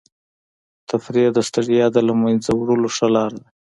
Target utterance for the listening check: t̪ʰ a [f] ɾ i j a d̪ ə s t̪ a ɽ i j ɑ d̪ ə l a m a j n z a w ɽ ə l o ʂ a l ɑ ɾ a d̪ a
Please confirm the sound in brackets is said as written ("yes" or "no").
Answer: yes